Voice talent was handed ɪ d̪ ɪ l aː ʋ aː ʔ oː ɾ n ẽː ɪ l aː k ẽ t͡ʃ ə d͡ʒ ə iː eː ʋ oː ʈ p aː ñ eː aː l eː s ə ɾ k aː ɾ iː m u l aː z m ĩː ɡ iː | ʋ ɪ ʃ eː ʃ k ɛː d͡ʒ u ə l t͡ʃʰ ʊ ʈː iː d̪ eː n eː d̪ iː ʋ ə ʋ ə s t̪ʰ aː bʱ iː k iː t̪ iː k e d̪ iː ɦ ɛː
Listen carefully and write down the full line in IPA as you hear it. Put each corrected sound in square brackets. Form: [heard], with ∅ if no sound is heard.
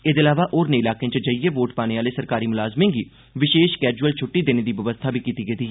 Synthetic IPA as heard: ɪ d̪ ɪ l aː ʋ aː ʔ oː ɾ n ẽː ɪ l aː k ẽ t͡ʃ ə d͡ʒ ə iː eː ʋ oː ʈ p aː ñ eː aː l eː s ə ɾ k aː ɾ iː m [ʊ] l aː z m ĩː ɡ iː | ʋ ɪ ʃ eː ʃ k ɛː d͡ʒ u ə l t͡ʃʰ ʊ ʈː iː d̪ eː n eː d̪ iː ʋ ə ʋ ə s t̪ʰ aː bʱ iː k iː t̪ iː [ɡ] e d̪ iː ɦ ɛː